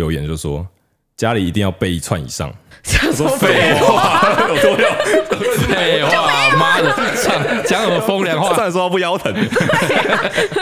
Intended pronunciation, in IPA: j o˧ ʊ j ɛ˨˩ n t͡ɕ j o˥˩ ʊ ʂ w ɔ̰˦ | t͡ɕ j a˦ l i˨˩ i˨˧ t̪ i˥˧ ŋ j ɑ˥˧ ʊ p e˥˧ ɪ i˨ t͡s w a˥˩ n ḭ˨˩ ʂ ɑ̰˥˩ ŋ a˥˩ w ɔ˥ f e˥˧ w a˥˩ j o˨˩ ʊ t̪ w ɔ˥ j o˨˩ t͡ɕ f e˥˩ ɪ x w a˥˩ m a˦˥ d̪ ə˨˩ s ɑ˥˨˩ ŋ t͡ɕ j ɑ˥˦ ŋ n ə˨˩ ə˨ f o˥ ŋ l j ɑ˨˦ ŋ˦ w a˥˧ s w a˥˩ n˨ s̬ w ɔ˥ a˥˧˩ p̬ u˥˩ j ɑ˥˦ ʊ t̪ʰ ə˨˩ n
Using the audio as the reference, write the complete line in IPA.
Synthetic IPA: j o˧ ʊ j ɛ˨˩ n t͡ɕ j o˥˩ ʊ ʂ w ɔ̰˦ | t͡ɕ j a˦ l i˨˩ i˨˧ t̪ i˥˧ ŋ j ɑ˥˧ ʊ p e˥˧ ɪ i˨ t͡sʰ w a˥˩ n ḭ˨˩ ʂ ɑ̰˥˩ ŋ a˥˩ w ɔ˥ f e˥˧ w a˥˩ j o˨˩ ʊ t̪ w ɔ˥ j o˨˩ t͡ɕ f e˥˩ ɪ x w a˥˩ m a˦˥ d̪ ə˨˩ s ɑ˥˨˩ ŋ t͡ɕ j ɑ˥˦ ŋ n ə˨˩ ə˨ f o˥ ŋ l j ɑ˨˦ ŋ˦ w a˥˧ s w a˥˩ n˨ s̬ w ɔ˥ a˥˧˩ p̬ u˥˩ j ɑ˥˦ ʊ t̪ʰ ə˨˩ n